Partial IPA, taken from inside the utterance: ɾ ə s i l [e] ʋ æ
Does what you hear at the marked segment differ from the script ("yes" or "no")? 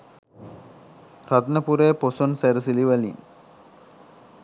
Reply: yes